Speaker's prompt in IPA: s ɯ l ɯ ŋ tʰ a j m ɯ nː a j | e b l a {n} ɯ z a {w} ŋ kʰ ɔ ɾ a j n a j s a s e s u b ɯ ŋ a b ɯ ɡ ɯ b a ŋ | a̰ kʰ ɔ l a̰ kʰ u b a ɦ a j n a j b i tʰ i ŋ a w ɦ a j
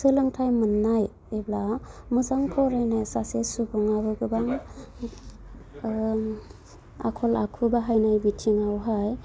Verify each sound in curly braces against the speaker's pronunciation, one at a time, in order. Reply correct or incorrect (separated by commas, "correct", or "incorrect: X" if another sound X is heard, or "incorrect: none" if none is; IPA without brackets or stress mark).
incorrect: m, incorrect: none